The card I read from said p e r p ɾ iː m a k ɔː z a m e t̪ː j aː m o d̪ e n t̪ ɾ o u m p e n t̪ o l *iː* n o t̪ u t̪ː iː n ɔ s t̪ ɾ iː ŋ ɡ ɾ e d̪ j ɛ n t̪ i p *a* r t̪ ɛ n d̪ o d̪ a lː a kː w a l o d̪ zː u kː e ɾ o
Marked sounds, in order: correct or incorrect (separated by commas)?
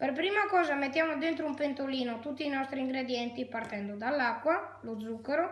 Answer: correct, correct